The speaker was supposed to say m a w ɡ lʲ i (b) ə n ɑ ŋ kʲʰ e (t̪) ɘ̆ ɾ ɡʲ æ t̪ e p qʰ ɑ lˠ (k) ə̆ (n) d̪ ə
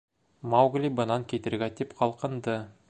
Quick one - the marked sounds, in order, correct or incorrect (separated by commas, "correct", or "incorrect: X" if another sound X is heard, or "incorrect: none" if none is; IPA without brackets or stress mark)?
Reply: correct, correct, incorrect: q, correct